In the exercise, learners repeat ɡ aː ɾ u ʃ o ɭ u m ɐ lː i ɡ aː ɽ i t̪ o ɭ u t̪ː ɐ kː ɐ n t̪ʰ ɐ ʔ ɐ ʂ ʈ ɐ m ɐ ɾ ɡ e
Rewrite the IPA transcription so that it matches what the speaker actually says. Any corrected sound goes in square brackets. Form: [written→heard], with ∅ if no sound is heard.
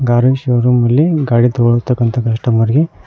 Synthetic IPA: ɡ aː ɾ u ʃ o [ɭ→ɾ] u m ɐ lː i ɡ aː ɽ i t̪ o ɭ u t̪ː ɐ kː ɐ n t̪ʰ ɐ [ʔ→k] ɐ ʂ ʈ ɐ m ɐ ɾ ɡ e